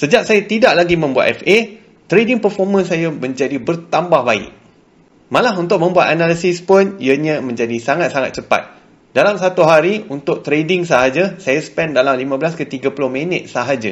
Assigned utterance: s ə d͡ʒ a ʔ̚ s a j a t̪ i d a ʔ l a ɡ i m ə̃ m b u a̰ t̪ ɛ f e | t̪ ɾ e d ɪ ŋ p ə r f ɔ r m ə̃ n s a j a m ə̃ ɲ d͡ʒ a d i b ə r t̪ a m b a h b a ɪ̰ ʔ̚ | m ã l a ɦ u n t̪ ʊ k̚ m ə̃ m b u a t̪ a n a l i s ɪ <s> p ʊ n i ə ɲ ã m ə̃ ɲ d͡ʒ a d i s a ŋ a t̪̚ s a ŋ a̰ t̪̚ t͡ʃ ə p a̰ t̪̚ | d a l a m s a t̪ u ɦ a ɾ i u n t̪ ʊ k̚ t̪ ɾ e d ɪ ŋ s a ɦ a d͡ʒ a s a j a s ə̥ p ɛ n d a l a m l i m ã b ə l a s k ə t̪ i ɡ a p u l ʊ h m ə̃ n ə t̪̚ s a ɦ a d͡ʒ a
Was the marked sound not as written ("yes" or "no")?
no